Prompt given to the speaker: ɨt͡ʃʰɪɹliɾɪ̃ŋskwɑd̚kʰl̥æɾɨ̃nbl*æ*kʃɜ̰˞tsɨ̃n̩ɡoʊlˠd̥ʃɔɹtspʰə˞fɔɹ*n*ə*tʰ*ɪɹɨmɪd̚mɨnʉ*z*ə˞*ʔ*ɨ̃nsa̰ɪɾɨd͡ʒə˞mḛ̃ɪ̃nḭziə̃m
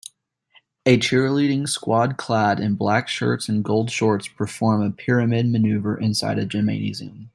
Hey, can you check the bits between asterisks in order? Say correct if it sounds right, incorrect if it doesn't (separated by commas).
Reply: correct, incorrect, incorrect, incorrect, correct